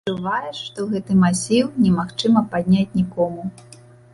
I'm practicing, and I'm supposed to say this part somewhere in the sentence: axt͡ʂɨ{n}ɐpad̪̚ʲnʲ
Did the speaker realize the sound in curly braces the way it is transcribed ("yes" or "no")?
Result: no